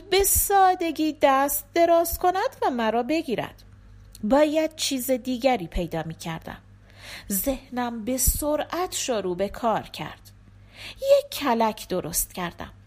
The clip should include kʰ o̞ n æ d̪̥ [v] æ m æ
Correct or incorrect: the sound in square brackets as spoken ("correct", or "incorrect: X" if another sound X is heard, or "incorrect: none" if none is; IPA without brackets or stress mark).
correct